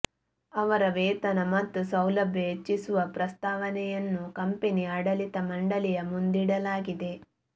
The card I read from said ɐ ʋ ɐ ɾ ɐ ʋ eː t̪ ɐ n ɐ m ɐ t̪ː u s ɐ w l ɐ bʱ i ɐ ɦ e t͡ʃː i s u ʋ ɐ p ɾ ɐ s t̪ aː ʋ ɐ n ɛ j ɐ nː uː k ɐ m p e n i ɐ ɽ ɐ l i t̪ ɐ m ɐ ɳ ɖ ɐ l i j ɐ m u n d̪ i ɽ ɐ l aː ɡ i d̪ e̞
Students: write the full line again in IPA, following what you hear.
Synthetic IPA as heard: ɐ ʋ ɐ ɾ ɐ ʋ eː t̪ ɐ n ɐ m ɐ t̪ː u s ɐ w l ɐ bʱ j ɐ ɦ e t͡ʃː i s u ʋ ɐ p ɾ ɐ s t̪ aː ʋ ɐ n ɛ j ɐ nː u k ɐ m p e n i ɐ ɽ ɐ l i t̪ ɐ m ɐ ɳ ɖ ɐ l i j ɐ m u n d̪ i ɽ ɐ l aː ɡ i d̪ e̞

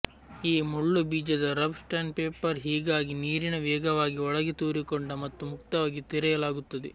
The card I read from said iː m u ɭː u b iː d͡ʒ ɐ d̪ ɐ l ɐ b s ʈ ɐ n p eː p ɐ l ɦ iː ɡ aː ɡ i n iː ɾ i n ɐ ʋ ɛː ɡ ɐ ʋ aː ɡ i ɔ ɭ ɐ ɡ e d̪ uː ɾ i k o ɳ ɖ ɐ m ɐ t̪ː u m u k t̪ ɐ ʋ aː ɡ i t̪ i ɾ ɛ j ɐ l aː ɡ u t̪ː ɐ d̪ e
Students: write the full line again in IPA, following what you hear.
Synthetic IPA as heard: iː m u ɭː u b iː d͡ʒ ɐ d̪ ɐ ɾ ɐ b s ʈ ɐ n p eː p ɐ ɾ ɦ iː ɡ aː ɡ i n iː ɾ i n ɐ ʋ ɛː ɡ ɐ ʋ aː ɡ i ɔ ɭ ɐ ɡ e t̪ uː ɾ i k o ɳ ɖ ɐ m ɐ t̪ː u m u k t̪ ɐ ʋ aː ɡ i t̪ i ɾ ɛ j ɐ l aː ɡ u t̪ː ɐ d̪ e

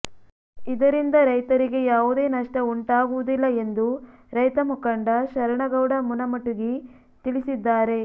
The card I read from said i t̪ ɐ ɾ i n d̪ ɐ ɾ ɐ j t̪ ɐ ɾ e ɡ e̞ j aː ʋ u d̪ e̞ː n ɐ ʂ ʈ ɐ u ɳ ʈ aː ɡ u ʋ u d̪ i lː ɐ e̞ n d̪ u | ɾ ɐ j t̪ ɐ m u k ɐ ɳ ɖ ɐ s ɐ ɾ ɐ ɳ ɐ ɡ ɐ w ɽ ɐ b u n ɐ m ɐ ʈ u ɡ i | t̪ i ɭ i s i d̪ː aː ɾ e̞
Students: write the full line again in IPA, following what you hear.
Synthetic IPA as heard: i d̪ ɐ ɾ i n d̪ ɐ ɾ ɐ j t̪ ɐ ɾ i ɡ e̞ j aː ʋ u d̪ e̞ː n ɐ ʂ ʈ ɐ u ɳ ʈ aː ɡ u ʋ u d̪ i lː ɐ e̞ n d̪ u | ɾ ɐ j t̪ ɐ m u k ɐ ɳ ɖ ɐ ʃ ɐ ɾ ɐ ɳ ɐ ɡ ɐ w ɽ ɐ m u n ɐ m ɐ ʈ u ɡ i | t̪ i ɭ i s i d̪ː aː ɾ e̞

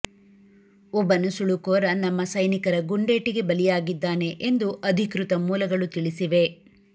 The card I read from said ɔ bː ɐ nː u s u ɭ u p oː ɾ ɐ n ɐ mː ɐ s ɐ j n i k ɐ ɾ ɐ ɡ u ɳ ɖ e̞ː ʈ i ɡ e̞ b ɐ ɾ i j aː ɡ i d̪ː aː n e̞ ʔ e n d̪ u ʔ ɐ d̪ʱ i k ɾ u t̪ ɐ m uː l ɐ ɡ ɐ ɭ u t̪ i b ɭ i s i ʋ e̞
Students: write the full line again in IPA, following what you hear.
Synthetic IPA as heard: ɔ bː ɐ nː u s u ɭ u k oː ɾ ɐ n ɐ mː ɐ s ɐ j n i k ɐ ɾ ɐ ɡ u ɳ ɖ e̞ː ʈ i ɡ e̞ b ɐ l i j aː ɡ i d̪ː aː n e̞ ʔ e n d̪ u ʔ ɐ d̪ʱ i k ɾ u t̪ ɐ m uː l ɐ ɡ ɐ ɭ u t̪ i ɭ i s i ʋ e̞

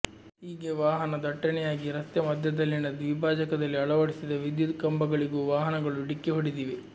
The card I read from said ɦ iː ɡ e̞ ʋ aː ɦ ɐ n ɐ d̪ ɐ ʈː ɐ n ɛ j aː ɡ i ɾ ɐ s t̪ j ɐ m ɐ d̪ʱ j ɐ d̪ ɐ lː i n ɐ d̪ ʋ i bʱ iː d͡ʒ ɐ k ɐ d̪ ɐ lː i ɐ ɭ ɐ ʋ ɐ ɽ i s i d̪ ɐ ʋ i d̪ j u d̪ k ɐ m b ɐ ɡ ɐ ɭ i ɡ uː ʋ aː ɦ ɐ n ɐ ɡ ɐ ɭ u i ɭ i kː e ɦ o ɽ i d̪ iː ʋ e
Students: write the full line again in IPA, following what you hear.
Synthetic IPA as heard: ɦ iː ɡ e̞ ʋ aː ɦ ɐ n ɐ d̪ ɐ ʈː ɐ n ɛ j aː ɡ i ɾ ɐ s t̪ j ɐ m ɐ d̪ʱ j ɐ d̪ ɐ lː i n ɐ d̪ ʋ i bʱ aː d͡ʒ ɐ k ɐ d̪ ɐ lː i ɐ ɭ ɐ ʋ ɐ ɽ i s i d̪ ɐ ʋ i d̪ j u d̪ k ɐ m b ɐ ɡ ɐ ɭ i ɡ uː ʋ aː ɦ ɐ n ɐ ɡ ɐ ɭ u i ɽ i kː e ɦ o ɽ i d̪ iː ʋ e

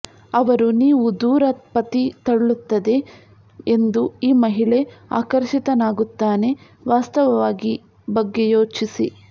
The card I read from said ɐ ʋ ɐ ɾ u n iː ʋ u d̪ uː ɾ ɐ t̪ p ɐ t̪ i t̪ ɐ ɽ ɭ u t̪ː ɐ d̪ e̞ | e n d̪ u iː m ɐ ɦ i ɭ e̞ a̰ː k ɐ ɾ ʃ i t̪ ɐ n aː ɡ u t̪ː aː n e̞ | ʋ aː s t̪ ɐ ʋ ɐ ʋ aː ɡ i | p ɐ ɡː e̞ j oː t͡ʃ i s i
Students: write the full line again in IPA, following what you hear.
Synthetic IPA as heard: ɐ ʋ ɐ ɾ u n iː ʋ u d̪ uː ɾ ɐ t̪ p ɐ t̪ i t̪ ɐ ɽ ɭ u t̪ː ɐ d̪ e̞ | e n d̪ u iː m ɐ ɦ i ɭ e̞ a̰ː k ɐ ɾ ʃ i t̪ ɐ n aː ɡ u t̪ː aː n e̞ | ʋ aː s t̪ ɐ ʋ ɐ ʋ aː ɡ i | b ɐ ɡː e̞ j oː t͡ʃ i s i

